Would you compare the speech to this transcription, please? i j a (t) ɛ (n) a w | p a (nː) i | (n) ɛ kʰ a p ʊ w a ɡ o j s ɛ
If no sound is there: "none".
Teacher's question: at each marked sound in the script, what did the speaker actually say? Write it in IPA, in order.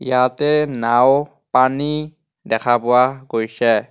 t, n, n, d

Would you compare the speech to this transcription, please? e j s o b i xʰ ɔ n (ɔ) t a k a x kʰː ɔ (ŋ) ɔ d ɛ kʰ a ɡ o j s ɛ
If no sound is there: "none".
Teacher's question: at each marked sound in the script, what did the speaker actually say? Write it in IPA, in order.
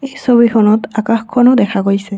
ɔ, n

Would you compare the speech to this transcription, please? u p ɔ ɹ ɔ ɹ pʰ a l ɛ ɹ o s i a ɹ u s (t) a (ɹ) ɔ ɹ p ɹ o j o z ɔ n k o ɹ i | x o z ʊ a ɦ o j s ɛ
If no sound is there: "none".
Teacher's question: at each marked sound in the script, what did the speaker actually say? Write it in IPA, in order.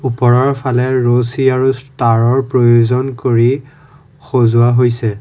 t, ɹ

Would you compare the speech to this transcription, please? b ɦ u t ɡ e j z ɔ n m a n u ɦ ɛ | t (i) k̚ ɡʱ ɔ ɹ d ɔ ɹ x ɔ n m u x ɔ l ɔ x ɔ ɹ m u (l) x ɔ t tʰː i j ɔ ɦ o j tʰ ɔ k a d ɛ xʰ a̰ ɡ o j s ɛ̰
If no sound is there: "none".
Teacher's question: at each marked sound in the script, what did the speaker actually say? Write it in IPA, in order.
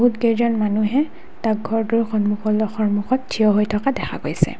a, none

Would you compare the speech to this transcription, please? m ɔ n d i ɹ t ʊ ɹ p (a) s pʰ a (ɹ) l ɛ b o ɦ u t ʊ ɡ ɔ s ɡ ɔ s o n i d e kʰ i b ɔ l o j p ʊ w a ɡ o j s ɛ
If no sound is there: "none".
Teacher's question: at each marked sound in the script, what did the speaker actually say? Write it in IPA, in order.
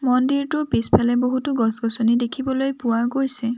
i, none

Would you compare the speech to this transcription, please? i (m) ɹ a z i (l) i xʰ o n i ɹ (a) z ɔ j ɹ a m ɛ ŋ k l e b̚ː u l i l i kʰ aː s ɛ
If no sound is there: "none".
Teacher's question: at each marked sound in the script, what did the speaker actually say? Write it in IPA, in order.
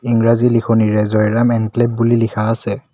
ŋ, l, ɛ

